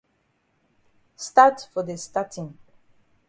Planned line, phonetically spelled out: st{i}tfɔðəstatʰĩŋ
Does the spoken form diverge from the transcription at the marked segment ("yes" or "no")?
yes